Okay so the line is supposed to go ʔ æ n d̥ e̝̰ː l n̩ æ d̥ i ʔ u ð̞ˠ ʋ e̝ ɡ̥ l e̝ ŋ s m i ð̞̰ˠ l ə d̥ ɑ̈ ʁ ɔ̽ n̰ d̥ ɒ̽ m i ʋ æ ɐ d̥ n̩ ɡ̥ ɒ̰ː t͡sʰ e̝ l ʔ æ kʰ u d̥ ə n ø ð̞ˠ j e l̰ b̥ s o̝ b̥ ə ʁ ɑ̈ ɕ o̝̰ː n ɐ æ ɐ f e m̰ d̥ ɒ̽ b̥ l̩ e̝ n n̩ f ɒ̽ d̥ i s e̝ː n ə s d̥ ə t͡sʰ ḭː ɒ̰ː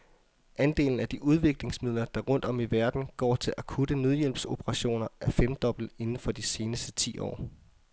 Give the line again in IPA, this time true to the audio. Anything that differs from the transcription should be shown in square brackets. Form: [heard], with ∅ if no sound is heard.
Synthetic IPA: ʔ æ n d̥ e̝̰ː l n̩ æ d̥ i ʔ u ð̞ˠ ʋ e̝ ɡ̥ l e̝ ŋ s m i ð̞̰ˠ l [ɐ] d̥ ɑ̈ ʁ ɔ̽ n̰ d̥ ɒ̽ m i ʋ æ ɐ d̥ n̩ ɡ̥ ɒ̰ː t͡sʰ e̝ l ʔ æ kʰ u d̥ ə n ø ð̞ˠ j e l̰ b̥ s o̝ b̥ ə ʁ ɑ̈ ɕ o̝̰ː n ɐ æ ɐ f e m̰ d̥ ɒ̽ b̥ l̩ e̝ n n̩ f ɒ̽ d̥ i s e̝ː n ə s d̥ ə t͡sʰ ḭː ɒ̰ː